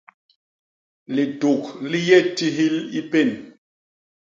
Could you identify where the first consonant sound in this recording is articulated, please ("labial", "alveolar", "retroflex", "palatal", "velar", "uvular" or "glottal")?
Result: alveolar